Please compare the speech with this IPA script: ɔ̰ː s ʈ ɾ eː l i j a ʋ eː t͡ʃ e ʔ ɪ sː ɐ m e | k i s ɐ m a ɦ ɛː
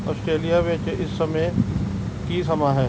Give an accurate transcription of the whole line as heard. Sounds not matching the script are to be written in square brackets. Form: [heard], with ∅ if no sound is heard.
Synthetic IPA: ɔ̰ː s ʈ ɾ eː l i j a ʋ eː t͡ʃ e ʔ ɪ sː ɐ m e | k i s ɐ m a ɦ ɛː